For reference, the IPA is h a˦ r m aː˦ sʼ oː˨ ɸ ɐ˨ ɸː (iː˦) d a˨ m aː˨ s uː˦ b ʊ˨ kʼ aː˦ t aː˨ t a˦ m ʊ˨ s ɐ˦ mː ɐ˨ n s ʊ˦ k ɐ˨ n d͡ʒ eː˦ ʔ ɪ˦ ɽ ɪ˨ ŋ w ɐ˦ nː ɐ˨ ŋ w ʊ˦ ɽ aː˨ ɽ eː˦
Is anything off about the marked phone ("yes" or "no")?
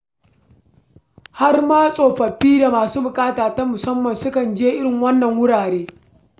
no